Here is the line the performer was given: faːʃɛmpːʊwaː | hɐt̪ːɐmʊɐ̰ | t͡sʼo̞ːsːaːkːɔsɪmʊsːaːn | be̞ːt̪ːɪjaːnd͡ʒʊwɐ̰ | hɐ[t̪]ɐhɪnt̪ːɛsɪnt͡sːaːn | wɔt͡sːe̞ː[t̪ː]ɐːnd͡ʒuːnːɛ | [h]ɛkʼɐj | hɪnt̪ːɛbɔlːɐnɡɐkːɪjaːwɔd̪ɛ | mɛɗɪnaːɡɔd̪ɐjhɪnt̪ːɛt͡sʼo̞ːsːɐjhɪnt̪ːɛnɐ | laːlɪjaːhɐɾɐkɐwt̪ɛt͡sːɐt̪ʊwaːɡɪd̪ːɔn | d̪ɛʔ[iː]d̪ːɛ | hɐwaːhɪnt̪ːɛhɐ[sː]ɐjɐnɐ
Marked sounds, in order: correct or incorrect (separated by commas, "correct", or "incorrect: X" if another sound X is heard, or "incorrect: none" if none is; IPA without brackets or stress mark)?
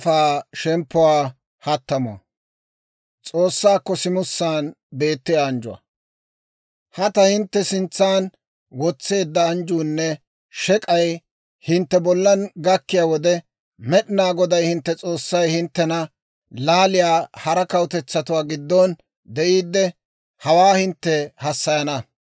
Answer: correct, incorrect: d̪ː, incorrect: ʃ, correct, correct